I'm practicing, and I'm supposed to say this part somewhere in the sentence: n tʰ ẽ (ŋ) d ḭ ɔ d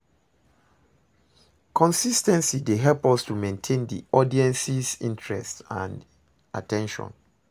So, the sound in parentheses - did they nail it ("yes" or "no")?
no